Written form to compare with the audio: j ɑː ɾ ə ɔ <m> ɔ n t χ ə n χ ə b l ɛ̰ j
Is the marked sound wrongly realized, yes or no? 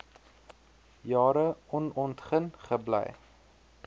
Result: yes